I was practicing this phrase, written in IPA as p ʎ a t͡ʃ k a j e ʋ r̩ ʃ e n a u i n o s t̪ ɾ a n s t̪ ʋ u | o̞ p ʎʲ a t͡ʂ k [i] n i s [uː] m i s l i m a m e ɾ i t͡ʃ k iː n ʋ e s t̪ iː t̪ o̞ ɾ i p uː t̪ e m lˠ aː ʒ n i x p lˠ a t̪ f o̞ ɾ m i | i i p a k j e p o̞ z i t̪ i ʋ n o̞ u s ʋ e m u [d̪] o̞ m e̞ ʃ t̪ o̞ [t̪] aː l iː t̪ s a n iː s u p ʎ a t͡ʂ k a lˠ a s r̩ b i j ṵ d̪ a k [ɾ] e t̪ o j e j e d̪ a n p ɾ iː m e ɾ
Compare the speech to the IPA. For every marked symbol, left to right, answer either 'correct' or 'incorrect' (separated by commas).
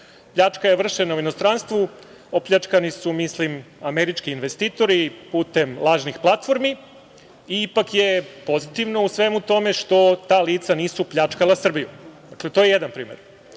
incorrect, incorrect, incorrect, correct, incorrect